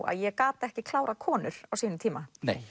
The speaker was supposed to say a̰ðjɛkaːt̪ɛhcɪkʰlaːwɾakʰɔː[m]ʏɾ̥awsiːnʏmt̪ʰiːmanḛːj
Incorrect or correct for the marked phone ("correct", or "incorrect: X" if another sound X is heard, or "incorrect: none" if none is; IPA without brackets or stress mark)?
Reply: incorrect: n